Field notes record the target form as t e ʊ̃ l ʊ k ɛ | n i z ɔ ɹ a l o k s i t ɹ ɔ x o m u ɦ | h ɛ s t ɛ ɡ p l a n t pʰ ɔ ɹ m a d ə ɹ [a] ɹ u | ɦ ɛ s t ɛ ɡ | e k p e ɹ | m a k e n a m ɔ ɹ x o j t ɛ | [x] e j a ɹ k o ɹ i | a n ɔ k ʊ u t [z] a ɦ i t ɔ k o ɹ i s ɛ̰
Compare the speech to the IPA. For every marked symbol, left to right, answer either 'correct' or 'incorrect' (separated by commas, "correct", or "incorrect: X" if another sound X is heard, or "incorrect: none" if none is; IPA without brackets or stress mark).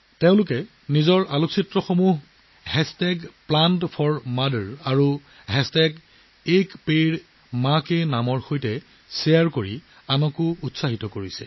correct, incorrect: s, incorrect: s